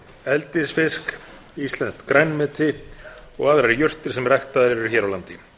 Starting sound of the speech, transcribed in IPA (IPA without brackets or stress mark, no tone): ɛ